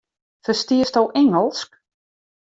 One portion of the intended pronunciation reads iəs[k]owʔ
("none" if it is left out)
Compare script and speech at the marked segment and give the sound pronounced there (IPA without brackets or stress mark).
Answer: t